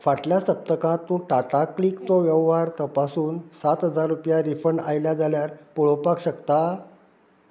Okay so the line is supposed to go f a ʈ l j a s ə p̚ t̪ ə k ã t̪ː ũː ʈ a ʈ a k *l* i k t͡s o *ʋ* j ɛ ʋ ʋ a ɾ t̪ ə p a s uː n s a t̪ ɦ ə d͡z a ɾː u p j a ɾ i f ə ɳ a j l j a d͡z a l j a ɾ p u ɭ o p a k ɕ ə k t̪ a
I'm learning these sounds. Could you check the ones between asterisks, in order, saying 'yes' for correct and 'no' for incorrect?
yes, yes

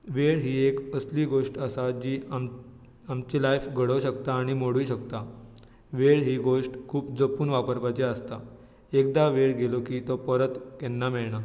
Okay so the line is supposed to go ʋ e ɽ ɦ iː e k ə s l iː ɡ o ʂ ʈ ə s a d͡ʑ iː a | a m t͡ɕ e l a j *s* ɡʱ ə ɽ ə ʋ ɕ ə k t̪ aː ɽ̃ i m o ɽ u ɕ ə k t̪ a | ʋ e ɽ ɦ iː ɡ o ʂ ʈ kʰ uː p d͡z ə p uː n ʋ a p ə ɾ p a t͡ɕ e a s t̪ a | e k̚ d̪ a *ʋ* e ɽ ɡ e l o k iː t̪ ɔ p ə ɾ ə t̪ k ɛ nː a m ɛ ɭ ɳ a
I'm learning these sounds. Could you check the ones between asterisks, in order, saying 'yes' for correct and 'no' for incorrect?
no, yes

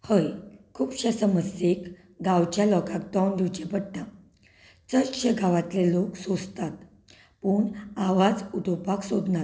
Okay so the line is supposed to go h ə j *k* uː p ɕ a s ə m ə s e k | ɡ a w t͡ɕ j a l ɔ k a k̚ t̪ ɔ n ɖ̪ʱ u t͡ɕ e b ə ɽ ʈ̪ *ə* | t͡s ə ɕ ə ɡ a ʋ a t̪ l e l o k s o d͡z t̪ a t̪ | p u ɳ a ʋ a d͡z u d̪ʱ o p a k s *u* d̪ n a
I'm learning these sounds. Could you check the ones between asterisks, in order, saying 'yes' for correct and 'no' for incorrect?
no, no, no

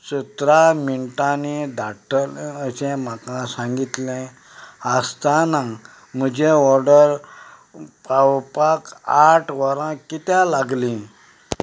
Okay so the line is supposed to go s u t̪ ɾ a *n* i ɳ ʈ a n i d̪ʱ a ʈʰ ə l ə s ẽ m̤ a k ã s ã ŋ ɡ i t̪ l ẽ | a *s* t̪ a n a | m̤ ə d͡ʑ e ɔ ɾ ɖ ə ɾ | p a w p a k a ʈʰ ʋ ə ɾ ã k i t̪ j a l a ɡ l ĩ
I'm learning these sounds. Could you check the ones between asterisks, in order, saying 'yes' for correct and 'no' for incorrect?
no, yes

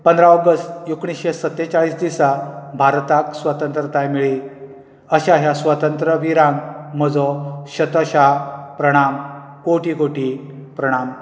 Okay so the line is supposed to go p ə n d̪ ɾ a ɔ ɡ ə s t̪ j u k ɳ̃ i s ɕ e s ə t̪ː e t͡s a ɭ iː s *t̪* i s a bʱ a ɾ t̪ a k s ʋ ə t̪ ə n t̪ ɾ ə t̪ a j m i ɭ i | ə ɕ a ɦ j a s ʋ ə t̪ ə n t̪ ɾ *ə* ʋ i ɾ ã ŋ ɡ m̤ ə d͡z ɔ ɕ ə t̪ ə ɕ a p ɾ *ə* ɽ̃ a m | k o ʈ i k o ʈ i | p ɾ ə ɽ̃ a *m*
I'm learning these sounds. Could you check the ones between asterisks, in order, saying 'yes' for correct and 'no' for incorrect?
no, yes, yes, yes

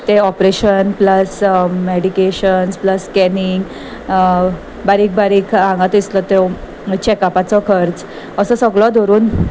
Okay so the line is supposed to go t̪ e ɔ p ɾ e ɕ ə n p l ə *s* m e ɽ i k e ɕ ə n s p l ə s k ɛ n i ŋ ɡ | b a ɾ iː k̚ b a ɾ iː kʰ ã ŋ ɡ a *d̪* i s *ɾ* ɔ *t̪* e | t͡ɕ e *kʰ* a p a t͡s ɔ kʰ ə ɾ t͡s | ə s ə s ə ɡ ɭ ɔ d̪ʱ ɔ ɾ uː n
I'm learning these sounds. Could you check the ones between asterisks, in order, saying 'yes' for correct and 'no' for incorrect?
yes, no, no, yes, no

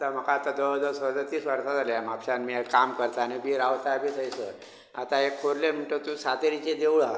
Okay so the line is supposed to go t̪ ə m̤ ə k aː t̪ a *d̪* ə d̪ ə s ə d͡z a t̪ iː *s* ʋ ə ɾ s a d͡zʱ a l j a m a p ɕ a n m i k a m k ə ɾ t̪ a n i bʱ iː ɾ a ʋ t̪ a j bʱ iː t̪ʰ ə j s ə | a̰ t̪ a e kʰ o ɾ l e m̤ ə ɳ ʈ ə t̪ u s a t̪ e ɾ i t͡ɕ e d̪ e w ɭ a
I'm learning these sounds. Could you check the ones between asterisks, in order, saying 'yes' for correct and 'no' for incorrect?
yes, yes

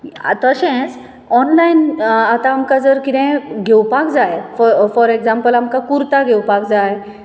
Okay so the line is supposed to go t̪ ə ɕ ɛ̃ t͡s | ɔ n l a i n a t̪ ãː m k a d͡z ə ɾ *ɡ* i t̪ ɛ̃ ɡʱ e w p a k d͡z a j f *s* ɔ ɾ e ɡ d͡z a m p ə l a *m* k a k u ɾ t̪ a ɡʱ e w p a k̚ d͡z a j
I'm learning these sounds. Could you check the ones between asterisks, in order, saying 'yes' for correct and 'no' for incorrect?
no, no, yes

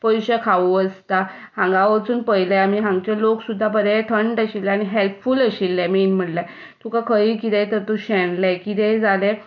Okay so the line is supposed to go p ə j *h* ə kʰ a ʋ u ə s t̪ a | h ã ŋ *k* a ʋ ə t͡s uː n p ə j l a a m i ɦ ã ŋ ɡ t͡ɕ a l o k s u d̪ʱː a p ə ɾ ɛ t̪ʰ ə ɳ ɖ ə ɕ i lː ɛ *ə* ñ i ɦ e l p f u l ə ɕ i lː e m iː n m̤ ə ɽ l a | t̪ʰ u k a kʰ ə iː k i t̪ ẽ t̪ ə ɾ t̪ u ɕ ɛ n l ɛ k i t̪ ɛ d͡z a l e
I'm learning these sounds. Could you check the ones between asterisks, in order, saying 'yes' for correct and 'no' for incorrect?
no, no, no

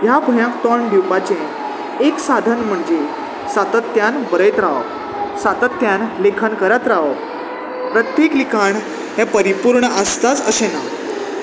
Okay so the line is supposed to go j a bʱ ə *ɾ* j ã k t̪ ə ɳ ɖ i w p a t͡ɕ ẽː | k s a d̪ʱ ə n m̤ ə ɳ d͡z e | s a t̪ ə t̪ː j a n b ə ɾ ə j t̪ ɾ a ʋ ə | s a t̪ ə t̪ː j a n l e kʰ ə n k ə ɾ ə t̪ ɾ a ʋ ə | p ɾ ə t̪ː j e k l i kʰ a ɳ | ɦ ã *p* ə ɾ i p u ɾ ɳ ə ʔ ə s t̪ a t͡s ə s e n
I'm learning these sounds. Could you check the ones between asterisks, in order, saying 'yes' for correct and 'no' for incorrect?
no, yes

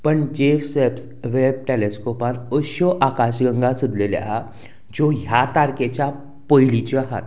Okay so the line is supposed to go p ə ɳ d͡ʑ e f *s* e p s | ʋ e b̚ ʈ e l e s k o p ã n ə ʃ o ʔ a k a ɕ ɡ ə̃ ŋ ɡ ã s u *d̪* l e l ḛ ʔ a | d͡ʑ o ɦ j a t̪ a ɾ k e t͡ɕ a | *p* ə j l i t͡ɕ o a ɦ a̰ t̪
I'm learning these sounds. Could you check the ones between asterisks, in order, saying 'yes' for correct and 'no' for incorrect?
yes, yes, yes

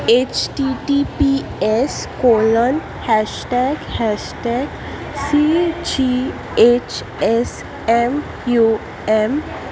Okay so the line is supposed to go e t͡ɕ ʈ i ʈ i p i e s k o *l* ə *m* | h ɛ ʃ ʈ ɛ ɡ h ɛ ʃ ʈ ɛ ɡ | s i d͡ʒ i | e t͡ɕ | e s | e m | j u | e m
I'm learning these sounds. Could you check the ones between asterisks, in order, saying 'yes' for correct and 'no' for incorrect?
yes, no

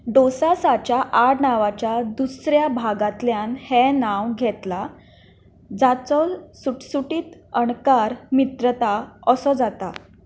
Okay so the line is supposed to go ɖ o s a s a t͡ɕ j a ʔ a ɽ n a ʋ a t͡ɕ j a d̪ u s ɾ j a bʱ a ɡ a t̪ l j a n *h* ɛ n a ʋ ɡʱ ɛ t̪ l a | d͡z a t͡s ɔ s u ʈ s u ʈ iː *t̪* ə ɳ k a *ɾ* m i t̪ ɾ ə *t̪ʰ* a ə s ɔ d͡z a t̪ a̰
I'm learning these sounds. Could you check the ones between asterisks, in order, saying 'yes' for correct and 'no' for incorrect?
yes, yes, yes, no

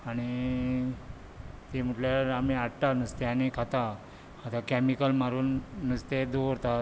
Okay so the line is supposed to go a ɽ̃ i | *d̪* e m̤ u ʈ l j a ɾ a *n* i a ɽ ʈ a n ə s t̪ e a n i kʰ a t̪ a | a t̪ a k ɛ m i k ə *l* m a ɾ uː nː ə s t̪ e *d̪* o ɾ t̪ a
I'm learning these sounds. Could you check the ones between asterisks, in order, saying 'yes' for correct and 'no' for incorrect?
no, no, yes, yes

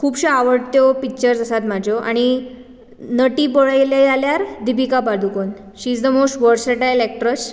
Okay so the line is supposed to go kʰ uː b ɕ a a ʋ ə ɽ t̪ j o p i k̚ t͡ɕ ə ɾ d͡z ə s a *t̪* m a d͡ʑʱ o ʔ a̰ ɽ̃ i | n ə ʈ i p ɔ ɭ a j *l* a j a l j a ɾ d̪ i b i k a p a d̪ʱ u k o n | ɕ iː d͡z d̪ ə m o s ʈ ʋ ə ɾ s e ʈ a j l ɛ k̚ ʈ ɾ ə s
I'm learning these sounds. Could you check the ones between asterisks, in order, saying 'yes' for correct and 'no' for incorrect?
yes, yes

